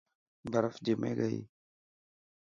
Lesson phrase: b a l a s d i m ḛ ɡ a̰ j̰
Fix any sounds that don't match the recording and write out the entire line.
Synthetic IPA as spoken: b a ɾ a f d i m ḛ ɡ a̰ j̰